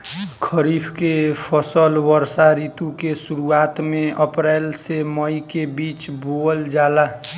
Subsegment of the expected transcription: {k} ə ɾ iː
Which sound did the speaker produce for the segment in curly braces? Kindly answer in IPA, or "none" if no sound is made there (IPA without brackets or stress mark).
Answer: kʰ